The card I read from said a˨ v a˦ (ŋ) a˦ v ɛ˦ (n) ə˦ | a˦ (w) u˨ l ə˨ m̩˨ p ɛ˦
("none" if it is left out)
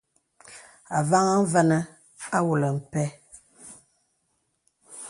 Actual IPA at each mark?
ŋ, n, w

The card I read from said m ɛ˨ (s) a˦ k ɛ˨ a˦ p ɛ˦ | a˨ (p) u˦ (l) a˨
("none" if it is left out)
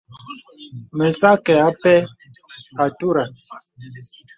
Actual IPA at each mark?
s, t, ɾ

